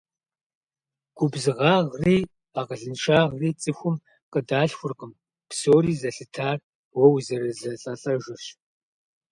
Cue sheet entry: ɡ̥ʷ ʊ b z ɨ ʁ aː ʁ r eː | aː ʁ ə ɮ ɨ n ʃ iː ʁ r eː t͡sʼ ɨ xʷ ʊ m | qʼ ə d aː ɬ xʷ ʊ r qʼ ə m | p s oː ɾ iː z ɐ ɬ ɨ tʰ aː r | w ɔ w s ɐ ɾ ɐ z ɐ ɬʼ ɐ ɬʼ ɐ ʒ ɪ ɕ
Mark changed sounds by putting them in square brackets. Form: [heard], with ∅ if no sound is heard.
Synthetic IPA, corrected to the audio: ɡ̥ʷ ʊ b z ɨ ʁ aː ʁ r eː | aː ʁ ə ɮ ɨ n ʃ [aː] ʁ r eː t͡sʼ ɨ xʷ ʊ m | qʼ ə d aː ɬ xʷ ʊ r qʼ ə m | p s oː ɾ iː z ɐ ɬ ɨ tʰ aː r | w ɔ w [z] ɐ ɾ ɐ z ɐ ɬʼ ɐ ɬʼ ɐ ʒ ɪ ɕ

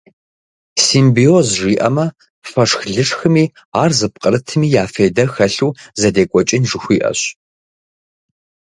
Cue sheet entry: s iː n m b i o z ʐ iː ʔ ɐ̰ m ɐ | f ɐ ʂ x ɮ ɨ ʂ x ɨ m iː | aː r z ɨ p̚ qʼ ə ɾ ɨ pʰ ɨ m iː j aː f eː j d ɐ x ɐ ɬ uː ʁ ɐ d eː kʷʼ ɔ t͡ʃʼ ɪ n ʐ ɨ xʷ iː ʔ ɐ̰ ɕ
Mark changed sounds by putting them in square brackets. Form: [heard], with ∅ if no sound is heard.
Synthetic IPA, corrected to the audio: s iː [∅] m b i o z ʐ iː ʔ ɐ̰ m ɐ | f ɐ ʂ x ɮ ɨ ʂ x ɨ m iː | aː r z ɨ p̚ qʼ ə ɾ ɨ [tʰ] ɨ m iː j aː f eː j d ɐ x ɐ ɬ uː [z] ɐ d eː kʷʼ ɔ t͡ʃʼ ɪ n ʐ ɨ xʷ iː ʔ ɐ̰ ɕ

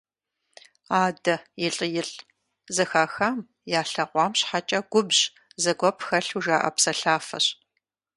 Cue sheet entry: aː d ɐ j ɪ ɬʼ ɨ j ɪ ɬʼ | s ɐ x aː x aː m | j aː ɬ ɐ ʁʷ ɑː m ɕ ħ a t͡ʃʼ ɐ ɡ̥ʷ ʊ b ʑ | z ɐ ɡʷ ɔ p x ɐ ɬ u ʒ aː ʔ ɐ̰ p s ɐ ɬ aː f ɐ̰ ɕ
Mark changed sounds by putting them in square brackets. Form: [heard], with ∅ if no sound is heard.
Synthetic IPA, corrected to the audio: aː d ɐ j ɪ ɬʼ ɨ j ɪ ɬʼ | [z] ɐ x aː x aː m | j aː ɬ ɐ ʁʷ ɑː m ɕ ħ a t͡ʃʼ ɐ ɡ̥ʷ ʊ b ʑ | z ɐ ɡʷ ɔ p x ɐ ɬ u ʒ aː ʔ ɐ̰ p s ɐ ɬ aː f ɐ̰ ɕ

